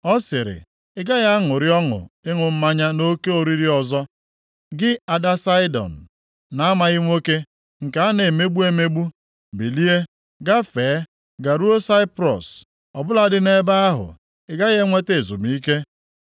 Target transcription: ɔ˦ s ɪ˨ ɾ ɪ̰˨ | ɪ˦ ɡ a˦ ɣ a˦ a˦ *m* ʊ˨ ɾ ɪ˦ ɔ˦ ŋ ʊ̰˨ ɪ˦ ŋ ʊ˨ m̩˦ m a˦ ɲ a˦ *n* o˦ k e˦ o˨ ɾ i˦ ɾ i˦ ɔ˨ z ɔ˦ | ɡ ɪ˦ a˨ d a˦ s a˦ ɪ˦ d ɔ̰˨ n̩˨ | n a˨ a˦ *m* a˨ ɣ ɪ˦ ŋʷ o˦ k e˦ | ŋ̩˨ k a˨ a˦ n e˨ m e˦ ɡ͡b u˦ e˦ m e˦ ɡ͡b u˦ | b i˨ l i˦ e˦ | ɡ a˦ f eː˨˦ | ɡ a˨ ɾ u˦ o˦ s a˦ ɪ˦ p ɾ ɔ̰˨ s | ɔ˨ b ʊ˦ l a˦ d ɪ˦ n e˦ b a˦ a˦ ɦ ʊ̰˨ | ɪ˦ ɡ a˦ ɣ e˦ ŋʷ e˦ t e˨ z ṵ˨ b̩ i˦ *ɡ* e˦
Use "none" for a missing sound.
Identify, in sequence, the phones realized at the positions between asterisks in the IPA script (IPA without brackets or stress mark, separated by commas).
ŋ, n, m, k